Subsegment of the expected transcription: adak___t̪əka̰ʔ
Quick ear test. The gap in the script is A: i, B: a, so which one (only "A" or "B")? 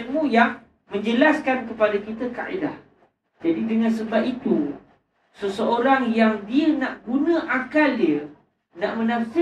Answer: A